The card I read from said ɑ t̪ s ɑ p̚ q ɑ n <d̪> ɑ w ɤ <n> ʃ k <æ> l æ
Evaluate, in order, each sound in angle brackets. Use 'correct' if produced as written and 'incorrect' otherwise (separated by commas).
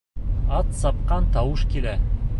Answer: incorrect, incorrect, incorrect